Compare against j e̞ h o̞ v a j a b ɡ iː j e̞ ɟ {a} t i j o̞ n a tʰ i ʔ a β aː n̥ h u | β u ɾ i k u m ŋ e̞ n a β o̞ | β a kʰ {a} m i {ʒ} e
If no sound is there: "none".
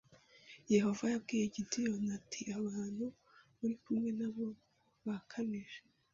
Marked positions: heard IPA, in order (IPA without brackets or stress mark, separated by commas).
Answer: i, a, ʒ